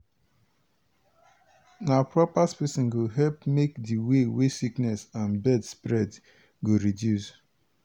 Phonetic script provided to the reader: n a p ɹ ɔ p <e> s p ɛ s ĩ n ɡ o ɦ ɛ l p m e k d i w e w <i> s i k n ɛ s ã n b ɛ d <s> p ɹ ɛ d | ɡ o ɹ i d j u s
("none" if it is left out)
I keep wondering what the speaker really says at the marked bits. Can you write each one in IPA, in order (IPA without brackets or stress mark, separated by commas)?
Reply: a, e, s